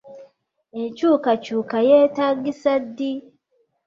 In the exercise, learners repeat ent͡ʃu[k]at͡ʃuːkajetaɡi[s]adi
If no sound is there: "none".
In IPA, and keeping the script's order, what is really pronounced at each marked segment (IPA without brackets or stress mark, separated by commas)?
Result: k, s